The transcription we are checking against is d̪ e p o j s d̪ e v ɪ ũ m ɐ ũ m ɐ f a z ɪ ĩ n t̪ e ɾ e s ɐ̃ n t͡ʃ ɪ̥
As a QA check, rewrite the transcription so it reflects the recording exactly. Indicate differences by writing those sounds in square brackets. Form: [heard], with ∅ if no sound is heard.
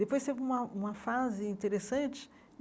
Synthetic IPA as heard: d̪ e p o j s [t̪] e v ɪ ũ m ɐ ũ m ɐ f a z ɪ ĩ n t̪ e ɾ e s ɐ̃ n t͡ʃ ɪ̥